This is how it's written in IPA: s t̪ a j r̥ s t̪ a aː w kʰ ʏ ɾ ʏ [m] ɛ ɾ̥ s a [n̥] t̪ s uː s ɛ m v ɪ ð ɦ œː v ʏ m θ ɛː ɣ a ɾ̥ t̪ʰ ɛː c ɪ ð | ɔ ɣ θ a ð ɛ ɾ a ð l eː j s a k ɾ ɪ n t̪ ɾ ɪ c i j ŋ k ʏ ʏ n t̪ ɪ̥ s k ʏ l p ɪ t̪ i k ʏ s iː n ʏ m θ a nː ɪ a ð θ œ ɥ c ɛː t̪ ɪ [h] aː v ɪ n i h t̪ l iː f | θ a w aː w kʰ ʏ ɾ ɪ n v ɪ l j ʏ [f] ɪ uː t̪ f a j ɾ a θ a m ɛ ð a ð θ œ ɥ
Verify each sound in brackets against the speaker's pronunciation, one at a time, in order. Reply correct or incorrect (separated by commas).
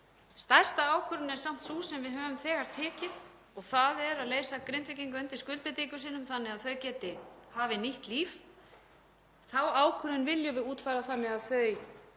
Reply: incorrect, incorrect, correct, incorrect